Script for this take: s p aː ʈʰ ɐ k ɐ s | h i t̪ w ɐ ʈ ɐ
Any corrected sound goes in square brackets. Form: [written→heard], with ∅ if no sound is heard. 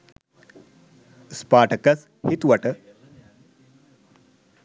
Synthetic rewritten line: s p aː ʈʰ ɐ k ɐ s | h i t̪ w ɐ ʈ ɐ